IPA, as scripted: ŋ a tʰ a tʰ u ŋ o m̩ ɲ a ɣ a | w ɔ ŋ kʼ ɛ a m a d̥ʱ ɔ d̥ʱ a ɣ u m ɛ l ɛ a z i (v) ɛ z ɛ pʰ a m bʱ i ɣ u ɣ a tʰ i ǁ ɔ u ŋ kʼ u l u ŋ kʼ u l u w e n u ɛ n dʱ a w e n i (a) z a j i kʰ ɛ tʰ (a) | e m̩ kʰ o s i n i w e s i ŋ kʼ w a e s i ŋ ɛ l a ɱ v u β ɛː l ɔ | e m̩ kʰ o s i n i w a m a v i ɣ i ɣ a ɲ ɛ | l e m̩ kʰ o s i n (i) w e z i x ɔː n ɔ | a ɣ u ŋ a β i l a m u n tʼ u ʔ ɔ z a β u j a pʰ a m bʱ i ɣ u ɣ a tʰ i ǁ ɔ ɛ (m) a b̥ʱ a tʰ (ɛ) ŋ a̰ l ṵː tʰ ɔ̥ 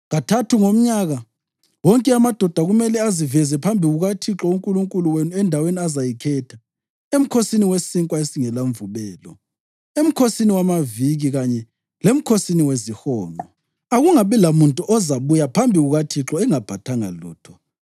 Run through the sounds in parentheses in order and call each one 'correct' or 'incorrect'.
correct, correct, correct, correct, incorrect, incorrect

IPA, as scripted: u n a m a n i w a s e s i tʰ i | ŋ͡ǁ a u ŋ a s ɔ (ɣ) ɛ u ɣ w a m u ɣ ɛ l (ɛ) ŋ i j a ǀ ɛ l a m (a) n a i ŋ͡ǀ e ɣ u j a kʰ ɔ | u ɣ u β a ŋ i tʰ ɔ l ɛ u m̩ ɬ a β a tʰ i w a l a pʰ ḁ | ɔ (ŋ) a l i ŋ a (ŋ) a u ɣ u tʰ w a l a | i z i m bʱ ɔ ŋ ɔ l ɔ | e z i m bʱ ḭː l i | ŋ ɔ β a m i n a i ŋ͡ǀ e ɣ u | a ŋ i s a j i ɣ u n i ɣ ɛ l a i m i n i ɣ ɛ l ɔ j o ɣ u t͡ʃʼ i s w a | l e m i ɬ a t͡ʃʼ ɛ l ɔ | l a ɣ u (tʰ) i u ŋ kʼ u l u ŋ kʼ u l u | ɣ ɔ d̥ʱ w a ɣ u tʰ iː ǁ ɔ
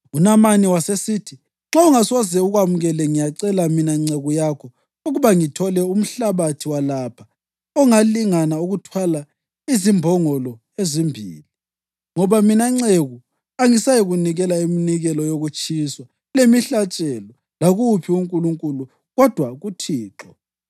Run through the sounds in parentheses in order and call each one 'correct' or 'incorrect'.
incorrect, correct, incorrect, correct, incorrect, incorrect

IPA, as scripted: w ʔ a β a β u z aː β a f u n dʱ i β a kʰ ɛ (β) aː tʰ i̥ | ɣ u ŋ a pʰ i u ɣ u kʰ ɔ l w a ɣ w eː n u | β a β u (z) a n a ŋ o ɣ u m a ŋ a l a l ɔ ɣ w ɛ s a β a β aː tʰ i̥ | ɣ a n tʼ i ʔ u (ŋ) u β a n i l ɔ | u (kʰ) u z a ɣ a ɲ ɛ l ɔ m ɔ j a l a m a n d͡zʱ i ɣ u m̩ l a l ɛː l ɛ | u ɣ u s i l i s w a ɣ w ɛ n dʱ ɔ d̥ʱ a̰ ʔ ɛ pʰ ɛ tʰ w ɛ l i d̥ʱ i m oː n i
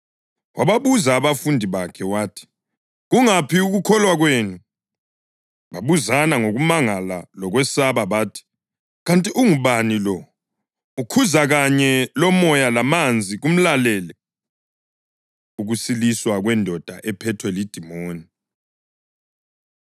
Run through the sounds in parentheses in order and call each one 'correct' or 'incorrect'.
incorrect, correct, correct, correct

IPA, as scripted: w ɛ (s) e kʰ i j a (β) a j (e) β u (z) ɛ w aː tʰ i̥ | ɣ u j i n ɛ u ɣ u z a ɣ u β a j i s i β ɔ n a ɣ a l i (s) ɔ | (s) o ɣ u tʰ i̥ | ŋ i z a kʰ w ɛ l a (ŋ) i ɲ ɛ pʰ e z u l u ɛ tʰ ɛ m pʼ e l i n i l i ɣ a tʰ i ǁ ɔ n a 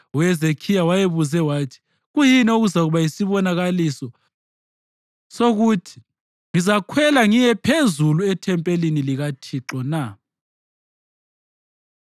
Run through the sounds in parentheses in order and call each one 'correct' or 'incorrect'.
incorrect, incorrect, correct, correct, correct, correct, correct

